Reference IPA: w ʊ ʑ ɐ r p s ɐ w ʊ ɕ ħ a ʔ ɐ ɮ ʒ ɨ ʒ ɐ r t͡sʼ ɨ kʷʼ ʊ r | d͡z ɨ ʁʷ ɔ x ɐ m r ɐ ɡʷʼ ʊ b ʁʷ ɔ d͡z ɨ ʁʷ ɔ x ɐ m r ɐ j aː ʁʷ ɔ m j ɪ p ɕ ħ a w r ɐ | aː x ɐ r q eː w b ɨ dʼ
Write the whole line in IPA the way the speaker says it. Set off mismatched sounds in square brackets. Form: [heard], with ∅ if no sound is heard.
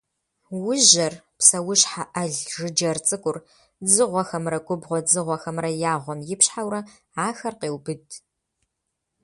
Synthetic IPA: w ʊ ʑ ɐ r p s ɐ w ʊ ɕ ħ a ʔ ɐ ɮ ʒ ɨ [d͡ʒ] ɐ r t͡sʼ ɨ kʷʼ ʊ r | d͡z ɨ ʁʷ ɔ x ɐ m r ɐ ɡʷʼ ʊ b ʁʷ ɔ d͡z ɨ ʁʷ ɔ x ɐ m r ɐ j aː ʁʷ ɔ m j ɪ p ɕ ħ a w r ɐ | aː x ɐ r q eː w b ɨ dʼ